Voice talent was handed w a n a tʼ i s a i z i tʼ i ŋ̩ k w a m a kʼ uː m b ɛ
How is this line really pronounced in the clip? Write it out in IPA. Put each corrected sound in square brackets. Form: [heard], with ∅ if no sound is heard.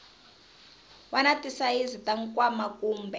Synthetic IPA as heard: w a n a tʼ i s a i z i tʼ [a] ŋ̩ k w a m a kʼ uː m b ɛ